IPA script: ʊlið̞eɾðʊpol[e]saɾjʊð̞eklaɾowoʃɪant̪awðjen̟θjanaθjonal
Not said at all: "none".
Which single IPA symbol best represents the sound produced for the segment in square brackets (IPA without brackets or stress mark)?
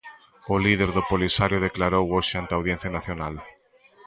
i